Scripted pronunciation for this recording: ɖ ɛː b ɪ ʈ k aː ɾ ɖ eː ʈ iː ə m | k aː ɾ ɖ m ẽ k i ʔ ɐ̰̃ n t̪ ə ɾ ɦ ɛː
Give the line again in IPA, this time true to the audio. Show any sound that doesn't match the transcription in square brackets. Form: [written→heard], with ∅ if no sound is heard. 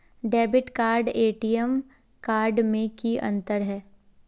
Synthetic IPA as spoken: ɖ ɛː b ɪ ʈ k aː ɾ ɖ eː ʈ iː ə m | k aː ɾ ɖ m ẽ k i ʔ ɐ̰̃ n t̪ ə ɾ ɦ ɛː